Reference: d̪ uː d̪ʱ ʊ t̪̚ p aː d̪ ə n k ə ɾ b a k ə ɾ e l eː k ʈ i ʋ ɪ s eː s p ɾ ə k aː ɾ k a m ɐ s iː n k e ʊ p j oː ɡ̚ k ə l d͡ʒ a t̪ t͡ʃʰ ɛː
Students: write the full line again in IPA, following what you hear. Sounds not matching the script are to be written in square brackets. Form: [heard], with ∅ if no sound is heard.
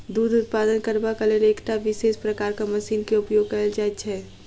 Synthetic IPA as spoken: d̪ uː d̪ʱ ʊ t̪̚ p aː d̪ ə n k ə ɾ b a k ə [l] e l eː k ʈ [a] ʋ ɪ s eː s p ɾ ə k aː ɾ k a m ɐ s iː n k e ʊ p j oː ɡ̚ k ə l d͡ʒ a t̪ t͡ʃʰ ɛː